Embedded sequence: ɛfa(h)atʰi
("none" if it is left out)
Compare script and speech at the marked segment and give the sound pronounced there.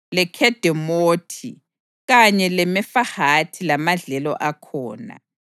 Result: h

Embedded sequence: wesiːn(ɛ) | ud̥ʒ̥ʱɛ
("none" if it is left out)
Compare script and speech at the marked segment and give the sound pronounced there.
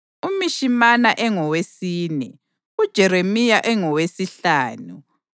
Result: ɛ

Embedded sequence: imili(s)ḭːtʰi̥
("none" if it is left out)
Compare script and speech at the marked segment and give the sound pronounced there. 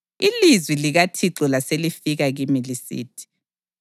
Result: s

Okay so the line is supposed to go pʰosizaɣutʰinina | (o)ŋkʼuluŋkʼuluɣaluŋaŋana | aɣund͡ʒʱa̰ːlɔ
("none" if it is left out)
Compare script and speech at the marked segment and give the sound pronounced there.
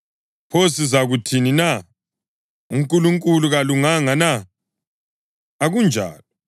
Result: u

